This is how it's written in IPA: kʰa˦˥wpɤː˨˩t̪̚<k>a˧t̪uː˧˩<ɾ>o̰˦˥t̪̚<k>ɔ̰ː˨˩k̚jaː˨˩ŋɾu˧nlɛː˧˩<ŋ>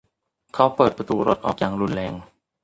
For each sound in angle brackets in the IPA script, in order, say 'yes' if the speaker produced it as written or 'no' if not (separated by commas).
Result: no, yes, no, yes